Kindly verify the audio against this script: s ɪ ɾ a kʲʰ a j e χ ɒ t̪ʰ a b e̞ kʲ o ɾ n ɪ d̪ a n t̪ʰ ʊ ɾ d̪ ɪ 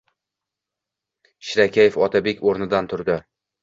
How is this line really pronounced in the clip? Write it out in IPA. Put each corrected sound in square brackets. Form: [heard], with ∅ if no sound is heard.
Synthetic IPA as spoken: [ʃ] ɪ ɾ a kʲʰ a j e [f] ɒ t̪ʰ a b e̞ kʲ o ɾ n ɪ d̪ a n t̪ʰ ʊ ɾ d̪ ɪ